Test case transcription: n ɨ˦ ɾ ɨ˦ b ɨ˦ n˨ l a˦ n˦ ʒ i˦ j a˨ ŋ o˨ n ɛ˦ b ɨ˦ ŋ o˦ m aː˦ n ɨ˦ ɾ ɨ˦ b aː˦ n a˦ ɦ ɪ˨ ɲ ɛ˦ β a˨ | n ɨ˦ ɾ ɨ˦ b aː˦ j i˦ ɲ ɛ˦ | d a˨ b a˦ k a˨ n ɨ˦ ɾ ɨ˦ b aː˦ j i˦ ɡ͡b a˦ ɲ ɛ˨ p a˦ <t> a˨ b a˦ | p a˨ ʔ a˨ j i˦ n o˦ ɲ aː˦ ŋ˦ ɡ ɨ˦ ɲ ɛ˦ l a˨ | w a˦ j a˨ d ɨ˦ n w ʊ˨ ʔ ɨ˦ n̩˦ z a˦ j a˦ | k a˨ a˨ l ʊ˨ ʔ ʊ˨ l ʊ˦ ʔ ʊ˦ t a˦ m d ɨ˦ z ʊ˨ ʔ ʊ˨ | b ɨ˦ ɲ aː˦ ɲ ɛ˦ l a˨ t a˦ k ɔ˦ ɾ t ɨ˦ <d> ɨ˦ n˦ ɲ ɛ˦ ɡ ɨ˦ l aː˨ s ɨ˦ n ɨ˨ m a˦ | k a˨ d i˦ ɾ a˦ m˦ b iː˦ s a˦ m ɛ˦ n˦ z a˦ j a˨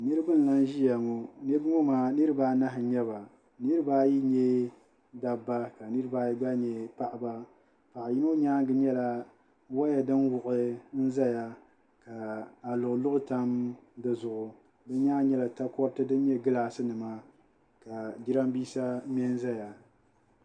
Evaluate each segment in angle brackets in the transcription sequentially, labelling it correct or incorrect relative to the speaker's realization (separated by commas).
incorrect, correct